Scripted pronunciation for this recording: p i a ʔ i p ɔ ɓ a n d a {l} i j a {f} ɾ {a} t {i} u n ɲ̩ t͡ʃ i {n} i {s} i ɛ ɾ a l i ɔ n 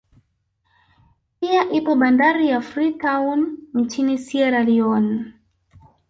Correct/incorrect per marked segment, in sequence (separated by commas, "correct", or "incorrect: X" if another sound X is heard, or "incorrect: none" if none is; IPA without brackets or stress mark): incorrect: ɾ, correct, incorrect: i, incorrect: a, correct, correct